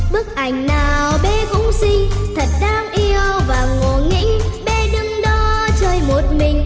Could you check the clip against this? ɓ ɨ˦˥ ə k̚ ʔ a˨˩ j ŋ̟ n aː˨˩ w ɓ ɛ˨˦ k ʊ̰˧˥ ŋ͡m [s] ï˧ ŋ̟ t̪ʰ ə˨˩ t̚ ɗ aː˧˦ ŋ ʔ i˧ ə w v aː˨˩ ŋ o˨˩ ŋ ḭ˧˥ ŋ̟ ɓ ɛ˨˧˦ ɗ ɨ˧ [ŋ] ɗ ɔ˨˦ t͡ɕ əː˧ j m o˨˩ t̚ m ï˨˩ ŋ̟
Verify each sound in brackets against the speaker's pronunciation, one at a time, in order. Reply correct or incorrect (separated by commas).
correct, correct